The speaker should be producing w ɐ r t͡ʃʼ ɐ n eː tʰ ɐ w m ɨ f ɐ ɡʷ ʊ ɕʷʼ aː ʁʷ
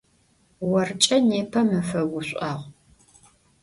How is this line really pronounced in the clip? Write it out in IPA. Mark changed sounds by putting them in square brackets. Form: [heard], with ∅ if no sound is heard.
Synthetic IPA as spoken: w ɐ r t͡ʃʼ ɐ n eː [pʰ] ɐ [∅] m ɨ f ɐ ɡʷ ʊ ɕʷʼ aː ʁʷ